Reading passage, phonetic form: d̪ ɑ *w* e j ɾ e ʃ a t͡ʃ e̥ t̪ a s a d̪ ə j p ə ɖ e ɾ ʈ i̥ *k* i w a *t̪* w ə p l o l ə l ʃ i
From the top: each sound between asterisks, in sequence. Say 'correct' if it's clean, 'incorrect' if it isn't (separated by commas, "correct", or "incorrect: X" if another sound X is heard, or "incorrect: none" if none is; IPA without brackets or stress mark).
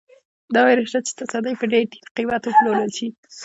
correct, incorrect: q, correct